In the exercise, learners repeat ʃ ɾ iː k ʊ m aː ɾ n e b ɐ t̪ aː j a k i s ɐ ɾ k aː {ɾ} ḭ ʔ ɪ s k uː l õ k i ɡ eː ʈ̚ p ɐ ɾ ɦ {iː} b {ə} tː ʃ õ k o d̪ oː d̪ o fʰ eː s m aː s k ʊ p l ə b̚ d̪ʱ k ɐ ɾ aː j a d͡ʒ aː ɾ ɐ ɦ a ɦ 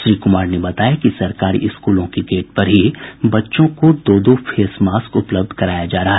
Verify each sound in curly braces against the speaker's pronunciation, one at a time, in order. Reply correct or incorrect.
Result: correct, incorrect, incorrect

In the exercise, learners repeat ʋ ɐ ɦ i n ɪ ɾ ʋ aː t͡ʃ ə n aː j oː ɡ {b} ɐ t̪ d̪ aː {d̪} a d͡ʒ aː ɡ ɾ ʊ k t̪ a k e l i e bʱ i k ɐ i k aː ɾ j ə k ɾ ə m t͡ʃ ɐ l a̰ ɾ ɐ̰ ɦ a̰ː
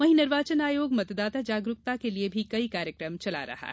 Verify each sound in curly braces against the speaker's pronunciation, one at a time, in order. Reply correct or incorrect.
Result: incorrect, incorrect

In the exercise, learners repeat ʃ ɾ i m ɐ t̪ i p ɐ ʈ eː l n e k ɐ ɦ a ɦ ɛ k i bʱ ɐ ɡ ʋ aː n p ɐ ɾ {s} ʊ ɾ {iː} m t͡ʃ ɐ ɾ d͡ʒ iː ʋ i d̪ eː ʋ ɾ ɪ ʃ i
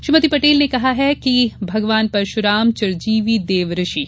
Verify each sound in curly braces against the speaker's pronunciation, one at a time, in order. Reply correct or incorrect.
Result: incorrect, incorrect

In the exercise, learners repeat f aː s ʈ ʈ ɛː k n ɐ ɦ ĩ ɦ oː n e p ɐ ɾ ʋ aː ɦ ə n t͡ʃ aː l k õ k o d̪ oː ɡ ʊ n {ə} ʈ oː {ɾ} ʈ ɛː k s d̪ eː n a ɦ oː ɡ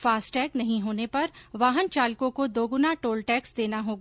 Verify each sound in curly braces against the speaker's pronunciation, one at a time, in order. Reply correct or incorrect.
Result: incorrect, incorrect

